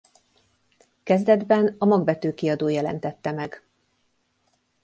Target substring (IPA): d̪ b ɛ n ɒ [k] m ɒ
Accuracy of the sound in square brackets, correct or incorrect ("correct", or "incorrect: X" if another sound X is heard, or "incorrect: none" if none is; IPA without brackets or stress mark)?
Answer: incorrect: none